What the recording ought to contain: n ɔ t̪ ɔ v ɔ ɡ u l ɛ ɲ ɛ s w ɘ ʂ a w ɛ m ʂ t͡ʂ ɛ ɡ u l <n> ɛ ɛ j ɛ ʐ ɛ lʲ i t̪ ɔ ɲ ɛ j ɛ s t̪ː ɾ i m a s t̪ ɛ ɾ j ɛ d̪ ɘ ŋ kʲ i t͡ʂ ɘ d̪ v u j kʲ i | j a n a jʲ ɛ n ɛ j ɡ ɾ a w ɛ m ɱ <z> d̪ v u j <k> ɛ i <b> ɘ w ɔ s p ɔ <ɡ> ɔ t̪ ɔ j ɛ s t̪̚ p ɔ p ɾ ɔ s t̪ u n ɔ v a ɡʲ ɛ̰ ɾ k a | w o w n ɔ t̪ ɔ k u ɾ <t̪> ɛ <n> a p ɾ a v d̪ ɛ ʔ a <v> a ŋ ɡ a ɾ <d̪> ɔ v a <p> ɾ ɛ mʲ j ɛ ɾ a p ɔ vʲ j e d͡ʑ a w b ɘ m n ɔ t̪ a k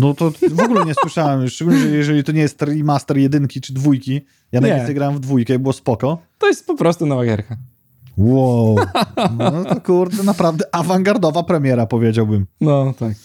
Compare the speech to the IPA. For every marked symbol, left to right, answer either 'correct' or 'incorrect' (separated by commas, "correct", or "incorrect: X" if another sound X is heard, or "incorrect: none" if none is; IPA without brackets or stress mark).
incorrect: ɲ, incorrect: v, correct, correct, incorrect: k, incorrect: d̪, correct, correct, correct, correct